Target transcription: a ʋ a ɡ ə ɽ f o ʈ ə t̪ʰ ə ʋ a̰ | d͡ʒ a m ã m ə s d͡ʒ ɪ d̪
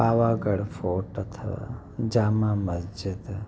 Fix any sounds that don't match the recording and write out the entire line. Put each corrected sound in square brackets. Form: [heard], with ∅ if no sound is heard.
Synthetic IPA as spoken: a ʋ a ɡ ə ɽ f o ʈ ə t̪ʰ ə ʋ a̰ | d͡ʒ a m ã m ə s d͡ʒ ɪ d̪